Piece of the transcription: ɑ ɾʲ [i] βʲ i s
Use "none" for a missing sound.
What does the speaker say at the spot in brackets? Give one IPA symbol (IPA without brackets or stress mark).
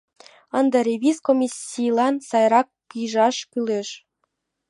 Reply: e